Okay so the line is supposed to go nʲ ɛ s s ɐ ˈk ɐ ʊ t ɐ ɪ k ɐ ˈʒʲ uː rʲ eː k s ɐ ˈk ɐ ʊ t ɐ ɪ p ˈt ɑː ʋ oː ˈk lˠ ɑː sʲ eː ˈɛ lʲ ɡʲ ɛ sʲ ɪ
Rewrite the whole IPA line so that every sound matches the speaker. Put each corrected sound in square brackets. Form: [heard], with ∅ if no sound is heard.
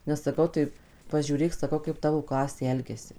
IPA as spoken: nʲ ɛ s s ɐ ˈk ɐ ʊ t ɐ ɪ [p] ɐ ˈʒʲ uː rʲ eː k s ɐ ˈk ɐ ʊ [k] ɐ ɪ p ˈt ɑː ʋ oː ˈk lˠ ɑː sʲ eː ˈɛ lʲ ɡʲ ɛ sʲ ɪ